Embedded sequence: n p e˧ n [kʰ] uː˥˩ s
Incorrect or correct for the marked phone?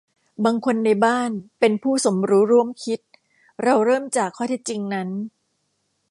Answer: incorrect: pʰ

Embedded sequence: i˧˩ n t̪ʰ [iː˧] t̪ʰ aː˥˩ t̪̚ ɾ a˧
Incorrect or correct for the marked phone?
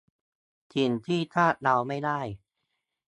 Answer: incorrect: iː˥˩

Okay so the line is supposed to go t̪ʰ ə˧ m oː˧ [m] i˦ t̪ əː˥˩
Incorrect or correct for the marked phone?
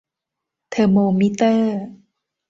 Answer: correct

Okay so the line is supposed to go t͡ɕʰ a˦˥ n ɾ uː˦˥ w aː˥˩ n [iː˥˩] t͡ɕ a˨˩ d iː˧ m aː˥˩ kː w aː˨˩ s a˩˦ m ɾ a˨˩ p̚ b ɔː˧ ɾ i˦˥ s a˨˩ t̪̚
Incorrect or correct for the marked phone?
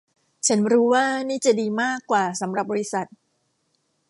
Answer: correct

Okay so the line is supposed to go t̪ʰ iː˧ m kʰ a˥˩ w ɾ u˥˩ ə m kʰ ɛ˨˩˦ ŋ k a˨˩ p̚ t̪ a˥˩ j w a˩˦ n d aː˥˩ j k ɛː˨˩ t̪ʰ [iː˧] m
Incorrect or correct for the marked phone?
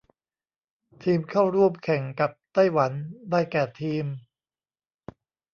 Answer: correct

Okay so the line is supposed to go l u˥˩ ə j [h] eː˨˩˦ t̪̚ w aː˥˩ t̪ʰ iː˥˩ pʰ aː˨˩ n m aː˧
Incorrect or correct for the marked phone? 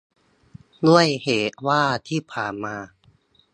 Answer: correct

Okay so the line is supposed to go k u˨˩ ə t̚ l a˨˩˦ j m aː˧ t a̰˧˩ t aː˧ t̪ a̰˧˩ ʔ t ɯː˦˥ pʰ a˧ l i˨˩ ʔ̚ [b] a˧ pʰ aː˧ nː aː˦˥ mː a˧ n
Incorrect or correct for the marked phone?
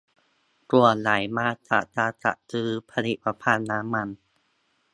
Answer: incorrect: p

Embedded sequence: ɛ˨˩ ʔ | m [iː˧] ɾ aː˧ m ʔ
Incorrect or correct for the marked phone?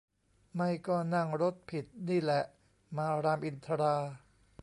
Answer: incorrect: aː˧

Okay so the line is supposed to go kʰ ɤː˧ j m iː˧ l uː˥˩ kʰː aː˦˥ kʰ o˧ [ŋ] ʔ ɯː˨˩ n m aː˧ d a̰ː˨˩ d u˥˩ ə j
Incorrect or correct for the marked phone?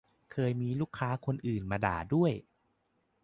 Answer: incorrect: n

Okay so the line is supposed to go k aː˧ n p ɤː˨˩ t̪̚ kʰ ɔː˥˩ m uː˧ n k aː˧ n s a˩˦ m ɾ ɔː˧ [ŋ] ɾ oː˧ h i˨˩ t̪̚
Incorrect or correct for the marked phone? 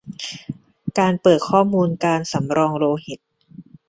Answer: correct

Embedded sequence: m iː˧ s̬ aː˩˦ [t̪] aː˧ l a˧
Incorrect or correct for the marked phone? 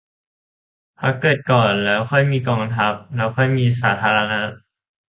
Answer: incorrect: t̪ʰ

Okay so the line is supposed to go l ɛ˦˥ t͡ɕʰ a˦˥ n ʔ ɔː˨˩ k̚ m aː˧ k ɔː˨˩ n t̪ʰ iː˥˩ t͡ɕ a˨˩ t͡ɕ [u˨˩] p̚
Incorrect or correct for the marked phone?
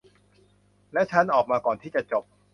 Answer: incorrect: o˨˩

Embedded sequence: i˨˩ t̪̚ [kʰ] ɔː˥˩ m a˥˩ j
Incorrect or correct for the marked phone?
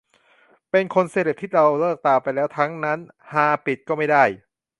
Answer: incorrect: k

